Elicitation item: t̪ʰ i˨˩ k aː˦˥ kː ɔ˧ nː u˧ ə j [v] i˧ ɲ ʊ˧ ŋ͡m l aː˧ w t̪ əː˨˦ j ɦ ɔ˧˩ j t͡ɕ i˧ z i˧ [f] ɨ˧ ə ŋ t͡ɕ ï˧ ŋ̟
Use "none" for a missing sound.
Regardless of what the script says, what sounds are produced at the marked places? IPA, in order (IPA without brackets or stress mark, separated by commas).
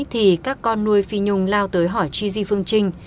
f, f